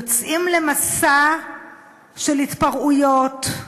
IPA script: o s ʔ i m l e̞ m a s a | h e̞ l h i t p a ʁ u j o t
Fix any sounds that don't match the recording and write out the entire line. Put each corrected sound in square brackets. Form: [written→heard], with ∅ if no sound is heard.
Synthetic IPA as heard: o [s→t͡s] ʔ i m l e̞ m a s a | [h→ʃ] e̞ l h i t p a ʁ u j o t